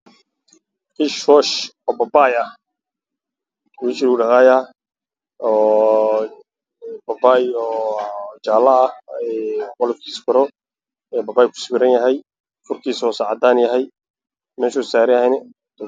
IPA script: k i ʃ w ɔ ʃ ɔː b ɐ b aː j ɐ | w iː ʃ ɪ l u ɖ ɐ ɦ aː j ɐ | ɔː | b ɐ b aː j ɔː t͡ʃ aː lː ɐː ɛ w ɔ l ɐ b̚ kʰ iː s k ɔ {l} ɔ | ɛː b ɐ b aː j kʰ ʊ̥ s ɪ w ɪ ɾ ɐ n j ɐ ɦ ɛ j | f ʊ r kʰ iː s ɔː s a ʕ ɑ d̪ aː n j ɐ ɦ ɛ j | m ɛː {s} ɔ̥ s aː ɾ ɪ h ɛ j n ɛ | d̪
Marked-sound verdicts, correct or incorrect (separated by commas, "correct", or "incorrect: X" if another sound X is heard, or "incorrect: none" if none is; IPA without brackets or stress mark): incorrect: ɾ, incorrect: ʃ